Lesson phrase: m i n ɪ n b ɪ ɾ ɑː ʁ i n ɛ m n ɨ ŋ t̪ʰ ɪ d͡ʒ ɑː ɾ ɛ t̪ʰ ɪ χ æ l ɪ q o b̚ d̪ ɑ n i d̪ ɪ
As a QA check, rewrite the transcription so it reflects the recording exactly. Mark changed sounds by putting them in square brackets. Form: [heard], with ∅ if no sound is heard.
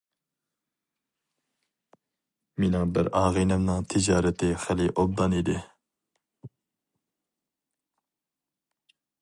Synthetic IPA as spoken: m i n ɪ [ŋ] b ɪ ɾ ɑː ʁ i n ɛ m n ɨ ŋ t̪ʰ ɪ d͡ʒ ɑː ɾ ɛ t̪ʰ ɪ χ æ l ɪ [ʔ] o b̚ d̪ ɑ n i d̪ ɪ